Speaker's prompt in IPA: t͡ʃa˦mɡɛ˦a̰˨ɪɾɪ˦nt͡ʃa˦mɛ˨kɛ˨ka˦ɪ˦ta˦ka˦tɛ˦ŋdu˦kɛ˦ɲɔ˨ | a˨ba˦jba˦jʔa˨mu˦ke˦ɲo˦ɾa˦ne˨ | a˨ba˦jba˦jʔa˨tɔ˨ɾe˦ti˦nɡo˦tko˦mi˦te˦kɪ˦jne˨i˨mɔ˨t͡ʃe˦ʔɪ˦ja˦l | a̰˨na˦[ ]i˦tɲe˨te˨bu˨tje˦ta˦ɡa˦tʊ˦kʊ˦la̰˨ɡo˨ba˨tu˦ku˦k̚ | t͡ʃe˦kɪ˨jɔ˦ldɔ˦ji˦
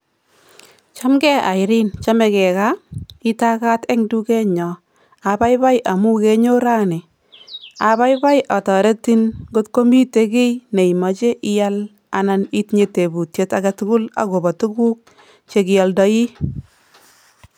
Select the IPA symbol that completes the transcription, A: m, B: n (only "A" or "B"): B